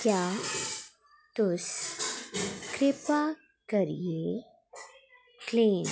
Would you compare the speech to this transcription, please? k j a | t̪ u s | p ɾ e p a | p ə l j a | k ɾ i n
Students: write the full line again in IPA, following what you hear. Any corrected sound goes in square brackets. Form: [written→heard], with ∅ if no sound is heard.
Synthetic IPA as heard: k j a | t̪ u s | [p→k] ɾ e p a | [p→k] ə [l→ɾ] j [a→e] | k [ɾ→l] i n

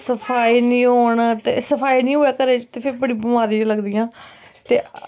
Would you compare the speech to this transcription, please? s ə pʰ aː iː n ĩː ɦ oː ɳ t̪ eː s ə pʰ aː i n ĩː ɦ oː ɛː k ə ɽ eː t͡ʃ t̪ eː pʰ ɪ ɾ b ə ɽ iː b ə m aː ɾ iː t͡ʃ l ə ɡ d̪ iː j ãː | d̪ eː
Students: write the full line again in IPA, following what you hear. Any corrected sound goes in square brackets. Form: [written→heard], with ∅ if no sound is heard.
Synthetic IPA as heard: s ə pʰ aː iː n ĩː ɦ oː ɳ t̪ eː s ə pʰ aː i n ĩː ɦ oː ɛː k ə [ɽ→ɾ] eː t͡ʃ t̪ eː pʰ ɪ ɾ b ə ɽ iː b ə m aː ɾ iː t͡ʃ l ə ɡ d̪ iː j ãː | [d̪→t̪] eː

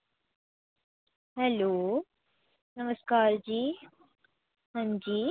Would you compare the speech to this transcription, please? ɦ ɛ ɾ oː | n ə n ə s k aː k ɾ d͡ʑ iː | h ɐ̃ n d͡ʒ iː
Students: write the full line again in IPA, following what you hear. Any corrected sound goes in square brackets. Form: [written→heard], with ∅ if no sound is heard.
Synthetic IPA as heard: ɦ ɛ [ɾ→l] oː | n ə [n→m] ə s k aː [k→∅] ɾ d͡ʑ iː | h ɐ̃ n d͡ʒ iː

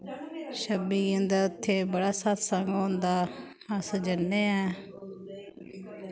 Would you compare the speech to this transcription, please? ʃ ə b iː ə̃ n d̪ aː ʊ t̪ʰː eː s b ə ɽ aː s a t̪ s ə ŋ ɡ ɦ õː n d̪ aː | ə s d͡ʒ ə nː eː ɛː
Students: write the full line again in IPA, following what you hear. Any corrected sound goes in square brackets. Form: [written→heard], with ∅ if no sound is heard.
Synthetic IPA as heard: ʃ ə b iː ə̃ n d̪ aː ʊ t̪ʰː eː [s→∅] b ə ɽ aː s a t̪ s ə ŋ ɡ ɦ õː n d̪ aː | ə s d͡ʒ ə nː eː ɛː

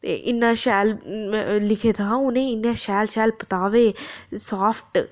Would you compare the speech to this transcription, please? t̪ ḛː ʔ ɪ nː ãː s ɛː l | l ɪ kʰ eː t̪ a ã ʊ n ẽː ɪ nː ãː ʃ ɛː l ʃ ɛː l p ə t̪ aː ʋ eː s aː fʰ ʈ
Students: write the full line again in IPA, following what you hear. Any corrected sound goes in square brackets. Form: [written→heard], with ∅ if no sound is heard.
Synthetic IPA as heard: t̪ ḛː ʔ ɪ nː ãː [s→ʃ] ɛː l | l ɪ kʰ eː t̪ a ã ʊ n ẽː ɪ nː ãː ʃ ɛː l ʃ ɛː l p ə t̪ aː ʋ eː s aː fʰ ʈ

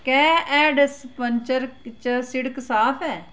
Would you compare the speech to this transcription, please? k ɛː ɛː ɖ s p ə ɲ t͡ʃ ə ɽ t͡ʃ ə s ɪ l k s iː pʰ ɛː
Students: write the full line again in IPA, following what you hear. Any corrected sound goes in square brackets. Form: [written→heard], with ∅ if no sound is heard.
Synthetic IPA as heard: k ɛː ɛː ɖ s p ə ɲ t͡ʃ ə [ɽ→ɾ] t͡ʃ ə s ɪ [l→ɽ] k s [iː→aː] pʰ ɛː

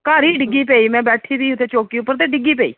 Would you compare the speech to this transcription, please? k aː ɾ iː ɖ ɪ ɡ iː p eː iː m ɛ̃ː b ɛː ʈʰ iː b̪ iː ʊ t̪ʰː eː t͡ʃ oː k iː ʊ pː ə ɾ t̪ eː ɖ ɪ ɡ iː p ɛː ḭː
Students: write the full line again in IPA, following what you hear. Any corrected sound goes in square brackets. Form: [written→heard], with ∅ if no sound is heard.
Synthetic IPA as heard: k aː ɾ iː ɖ ɪ ɡ iː p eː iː m ɛ̃ː b ɛː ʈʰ iː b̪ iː ʊ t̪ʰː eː t͡ʃ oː k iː ʊ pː ə ɾ t̪ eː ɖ ɪ ɡ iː p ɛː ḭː

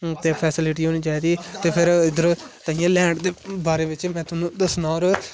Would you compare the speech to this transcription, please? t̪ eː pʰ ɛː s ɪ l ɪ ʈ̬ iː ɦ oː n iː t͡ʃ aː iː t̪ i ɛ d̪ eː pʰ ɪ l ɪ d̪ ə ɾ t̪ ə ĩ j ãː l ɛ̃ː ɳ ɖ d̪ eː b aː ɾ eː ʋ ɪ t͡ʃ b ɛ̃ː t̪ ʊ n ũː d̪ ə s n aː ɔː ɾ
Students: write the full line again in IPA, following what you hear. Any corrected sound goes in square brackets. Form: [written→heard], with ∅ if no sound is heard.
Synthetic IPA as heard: t̪ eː pʰ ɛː s ɪ l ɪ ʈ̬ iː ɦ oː n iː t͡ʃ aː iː [t̪→d̪] i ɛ [d̪→t̪] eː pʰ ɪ [l→ɾ] ɪ d̪ ə ɾ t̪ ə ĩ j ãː l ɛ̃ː ɳ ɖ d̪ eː b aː ɾ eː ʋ ɪ t͡ʃ [b→m] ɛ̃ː t̪ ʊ n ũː d̪ ə s n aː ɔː ɾ

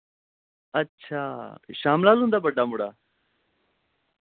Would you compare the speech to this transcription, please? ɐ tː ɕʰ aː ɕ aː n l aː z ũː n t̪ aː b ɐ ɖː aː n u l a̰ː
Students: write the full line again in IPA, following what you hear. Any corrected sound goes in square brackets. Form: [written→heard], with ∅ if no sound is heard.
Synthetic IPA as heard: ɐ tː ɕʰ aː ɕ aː [n→m] l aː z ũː n [t̪→d̪] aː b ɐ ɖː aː [n→m] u [l→ɽ] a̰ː

